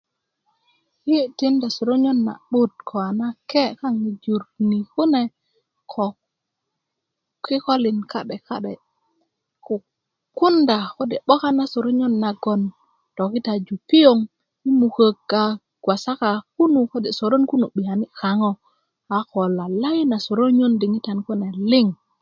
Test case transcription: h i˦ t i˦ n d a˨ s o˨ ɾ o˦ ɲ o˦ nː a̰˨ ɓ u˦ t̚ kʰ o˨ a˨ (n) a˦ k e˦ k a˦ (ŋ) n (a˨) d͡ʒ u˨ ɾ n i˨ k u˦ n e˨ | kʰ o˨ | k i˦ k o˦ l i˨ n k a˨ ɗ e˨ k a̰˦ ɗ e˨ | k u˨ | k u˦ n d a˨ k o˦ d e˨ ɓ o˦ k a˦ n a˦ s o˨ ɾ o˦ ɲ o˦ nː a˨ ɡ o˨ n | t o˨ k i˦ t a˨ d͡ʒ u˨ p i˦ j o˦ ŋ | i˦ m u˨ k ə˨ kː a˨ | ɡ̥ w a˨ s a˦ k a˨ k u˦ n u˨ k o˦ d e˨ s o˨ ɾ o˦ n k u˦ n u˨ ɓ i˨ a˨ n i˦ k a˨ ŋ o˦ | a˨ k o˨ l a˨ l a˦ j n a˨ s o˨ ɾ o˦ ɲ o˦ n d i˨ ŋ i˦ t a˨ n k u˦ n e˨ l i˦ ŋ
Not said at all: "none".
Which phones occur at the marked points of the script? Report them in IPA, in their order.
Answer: n, ŋ, i˨

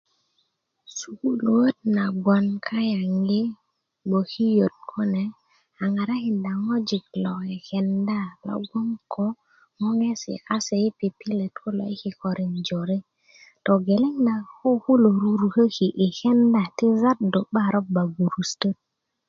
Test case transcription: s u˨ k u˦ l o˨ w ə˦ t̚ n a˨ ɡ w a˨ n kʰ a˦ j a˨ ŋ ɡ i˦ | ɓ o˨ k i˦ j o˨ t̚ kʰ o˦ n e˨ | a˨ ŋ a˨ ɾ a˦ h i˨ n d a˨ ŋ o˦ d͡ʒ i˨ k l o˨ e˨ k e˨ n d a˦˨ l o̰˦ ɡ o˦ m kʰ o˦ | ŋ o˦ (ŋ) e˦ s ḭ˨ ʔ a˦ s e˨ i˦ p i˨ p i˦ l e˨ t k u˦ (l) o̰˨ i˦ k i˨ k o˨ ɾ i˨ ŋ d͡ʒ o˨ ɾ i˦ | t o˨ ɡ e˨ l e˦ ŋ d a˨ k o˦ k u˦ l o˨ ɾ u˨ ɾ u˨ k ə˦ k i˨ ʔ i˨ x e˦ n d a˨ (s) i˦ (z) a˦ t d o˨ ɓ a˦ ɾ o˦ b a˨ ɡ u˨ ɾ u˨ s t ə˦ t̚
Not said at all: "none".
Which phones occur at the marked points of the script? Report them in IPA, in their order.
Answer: ŋ, l, t, z

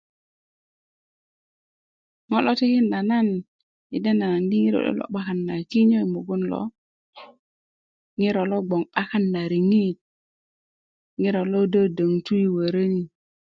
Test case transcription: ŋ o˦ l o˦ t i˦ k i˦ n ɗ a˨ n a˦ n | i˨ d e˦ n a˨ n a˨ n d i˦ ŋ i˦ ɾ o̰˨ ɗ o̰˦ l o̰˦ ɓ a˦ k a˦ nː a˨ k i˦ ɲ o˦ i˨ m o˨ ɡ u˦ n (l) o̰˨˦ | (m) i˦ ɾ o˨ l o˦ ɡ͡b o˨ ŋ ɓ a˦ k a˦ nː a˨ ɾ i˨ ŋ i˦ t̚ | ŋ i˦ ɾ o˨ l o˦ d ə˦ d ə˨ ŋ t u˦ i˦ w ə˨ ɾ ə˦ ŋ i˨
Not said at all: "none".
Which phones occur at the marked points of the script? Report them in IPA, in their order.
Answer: l, ŋ

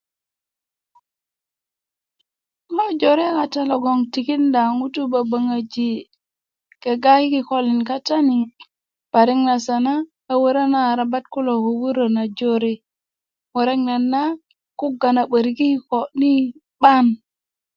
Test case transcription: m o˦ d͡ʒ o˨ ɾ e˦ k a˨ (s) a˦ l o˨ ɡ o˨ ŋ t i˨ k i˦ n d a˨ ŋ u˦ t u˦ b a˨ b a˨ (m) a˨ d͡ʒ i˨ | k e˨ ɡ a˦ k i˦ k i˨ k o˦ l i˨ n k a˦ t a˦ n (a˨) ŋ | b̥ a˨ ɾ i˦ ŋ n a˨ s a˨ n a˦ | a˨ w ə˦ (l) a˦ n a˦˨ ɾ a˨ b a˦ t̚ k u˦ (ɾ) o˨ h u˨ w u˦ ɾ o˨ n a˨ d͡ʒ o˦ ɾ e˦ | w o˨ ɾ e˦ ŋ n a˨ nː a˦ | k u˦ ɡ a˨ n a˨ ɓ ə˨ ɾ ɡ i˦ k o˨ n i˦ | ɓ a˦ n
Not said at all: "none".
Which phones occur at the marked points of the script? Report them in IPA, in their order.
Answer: t, ŋ, i˨, ɾ, l

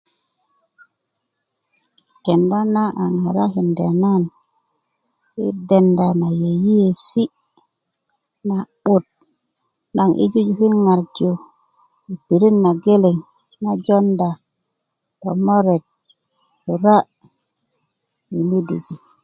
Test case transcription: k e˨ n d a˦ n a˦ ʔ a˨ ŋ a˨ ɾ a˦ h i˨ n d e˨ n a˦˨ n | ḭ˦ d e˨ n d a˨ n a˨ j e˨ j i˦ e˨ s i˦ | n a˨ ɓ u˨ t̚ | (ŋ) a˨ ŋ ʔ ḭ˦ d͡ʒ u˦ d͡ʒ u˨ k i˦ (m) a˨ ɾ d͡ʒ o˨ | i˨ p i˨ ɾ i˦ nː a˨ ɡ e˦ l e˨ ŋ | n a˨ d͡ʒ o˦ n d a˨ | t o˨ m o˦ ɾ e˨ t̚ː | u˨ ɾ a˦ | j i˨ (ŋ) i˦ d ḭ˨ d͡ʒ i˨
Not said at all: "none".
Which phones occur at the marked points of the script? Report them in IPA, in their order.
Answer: n, ŋ, m

